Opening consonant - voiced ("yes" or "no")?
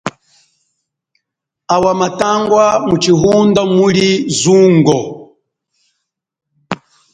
yes